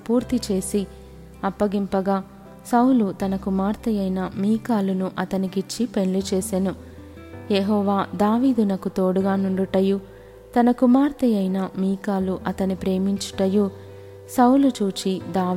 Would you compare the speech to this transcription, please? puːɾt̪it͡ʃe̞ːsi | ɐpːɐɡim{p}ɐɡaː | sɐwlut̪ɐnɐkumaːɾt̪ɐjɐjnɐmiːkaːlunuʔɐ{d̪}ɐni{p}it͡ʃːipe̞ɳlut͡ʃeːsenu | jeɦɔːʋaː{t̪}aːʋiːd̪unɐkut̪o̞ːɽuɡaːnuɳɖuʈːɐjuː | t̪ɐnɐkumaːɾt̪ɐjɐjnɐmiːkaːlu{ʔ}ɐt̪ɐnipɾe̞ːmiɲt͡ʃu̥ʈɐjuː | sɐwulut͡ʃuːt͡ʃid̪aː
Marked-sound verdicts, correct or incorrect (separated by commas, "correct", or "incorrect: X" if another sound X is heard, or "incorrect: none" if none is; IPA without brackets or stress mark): correct, incorrect: t̪, incorrect: k, incorrect: d̪, correct